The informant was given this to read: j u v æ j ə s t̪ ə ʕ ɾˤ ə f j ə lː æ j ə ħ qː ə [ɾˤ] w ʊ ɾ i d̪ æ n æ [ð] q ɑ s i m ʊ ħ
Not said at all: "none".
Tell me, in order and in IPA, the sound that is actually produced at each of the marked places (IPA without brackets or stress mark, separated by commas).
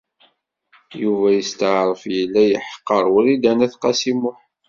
ɾˤ, θ